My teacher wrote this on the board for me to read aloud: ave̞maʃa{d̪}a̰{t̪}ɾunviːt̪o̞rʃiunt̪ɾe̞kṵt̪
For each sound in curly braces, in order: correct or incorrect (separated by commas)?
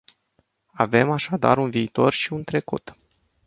correct, incorrect